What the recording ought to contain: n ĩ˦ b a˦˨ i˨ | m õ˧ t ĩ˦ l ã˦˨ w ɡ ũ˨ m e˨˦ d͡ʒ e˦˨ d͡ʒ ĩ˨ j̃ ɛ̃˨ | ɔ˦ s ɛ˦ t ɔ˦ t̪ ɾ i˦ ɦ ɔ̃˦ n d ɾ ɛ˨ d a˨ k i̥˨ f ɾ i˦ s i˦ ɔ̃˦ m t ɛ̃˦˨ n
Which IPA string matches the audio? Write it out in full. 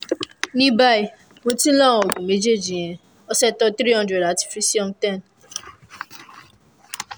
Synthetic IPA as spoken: n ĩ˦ b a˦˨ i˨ | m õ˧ t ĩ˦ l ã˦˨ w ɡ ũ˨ m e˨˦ d͡ʒ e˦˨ d͡ʒ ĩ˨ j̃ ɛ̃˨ | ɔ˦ s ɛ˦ t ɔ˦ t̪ ɾ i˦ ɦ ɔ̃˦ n d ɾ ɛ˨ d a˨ t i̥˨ f ɾ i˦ s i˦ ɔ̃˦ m t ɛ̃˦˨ n